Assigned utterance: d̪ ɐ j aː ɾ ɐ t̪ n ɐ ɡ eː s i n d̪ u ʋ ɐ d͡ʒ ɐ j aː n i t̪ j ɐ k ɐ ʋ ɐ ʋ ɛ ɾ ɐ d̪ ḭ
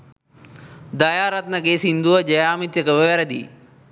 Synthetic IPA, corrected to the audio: d̪ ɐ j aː ɾ ɐ t̪ n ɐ ɡ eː s i n d̪ u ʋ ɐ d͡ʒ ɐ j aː m i t̪ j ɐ k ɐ ʋ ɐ ʋ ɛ ɾ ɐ d̪ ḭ